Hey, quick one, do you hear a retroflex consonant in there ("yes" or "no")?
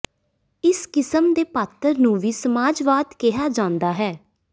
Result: no